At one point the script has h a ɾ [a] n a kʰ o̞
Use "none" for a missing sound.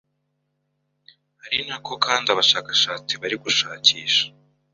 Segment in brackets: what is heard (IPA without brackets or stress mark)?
i